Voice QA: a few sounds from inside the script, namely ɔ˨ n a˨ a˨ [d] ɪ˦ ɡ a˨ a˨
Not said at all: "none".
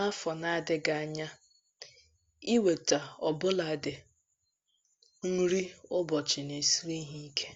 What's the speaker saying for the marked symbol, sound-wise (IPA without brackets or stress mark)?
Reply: d